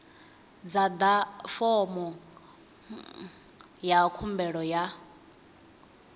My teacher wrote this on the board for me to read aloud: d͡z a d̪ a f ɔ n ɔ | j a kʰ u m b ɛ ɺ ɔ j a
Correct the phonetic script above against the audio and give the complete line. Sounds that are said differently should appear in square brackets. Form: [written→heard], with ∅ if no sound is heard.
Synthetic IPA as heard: d͡z a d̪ a f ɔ [n→m] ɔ | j a kʰ u m b ɛ ɺ ɔ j a